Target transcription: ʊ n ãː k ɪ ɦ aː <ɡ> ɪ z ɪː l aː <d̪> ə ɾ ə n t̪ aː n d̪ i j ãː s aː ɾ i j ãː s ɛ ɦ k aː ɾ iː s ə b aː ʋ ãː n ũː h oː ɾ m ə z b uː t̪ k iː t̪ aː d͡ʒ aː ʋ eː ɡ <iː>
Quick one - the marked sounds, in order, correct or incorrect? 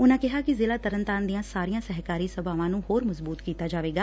incorrect, incorrect, incorrect

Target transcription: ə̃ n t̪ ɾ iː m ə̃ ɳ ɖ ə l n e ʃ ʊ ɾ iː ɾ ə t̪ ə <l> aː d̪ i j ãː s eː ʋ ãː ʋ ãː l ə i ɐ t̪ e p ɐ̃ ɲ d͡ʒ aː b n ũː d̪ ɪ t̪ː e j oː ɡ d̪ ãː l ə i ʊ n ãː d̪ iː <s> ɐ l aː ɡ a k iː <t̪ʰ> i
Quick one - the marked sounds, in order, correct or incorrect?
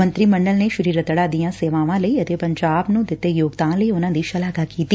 incorrect, incorrect, incorrect

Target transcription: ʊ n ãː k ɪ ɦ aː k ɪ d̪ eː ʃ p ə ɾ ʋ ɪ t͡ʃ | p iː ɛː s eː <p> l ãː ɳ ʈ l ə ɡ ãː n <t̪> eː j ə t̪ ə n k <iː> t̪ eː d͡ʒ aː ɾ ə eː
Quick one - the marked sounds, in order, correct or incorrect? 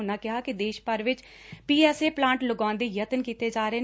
correct, incorrect, correct

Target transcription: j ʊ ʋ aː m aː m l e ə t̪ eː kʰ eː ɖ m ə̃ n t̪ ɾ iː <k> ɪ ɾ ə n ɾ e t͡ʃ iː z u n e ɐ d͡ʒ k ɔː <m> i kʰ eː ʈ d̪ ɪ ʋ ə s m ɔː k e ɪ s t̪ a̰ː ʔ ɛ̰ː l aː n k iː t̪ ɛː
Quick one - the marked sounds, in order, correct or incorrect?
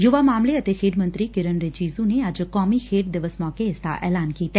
correct, correct

